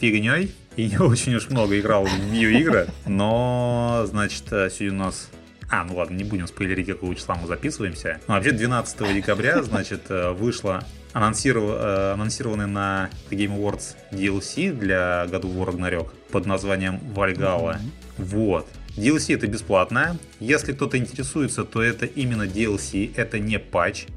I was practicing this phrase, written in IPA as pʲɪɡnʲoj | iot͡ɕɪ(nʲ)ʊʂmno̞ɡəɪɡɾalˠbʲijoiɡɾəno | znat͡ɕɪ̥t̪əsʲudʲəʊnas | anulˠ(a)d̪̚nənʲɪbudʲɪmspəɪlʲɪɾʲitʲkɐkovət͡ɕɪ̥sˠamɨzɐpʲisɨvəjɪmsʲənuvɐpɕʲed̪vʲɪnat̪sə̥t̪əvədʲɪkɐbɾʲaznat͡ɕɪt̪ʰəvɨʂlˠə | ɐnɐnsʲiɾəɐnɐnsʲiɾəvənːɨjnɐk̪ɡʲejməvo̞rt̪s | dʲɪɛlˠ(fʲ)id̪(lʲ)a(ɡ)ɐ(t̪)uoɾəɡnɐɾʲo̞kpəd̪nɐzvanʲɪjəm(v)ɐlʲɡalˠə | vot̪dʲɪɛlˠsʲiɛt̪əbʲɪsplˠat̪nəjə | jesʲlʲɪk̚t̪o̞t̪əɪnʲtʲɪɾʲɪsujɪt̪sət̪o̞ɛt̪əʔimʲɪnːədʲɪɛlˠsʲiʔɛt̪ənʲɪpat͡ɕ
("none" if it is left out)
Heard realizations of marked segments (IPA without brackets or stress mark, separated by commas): nʲ, a, sʲ, lʲ, ɡ, d̪, v